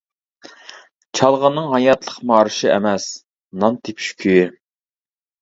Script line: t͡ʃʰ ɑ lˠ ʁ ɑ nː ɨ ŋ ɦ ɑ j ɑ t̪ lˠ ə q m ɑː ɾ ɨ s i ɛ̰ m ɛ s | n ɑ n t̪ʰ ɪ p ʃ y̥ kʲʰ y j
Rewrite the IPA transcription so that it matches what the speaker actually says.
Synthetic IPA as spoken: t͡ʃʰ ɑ lˠ ʁ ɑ nː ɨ ŋ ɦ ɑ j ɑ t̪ lˠ ə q m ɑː ɾ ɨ ʃ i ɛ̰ m ɛ s | n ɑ n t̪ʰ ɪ p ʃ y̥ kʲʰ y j